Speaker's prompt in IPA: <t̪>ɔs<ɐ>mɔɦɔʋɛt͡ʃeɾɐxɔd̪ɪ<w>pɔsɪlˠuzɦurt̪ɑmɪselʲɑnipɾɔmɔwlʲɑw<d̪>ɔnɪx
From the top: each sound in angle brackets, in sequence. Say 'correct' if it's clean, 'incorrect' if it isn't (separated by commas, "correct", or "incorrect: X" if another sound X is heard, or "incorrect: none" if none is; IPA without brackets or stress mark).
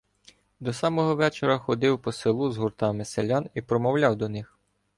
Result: incorrect: d̪, incorrect: ɑ, correct, correct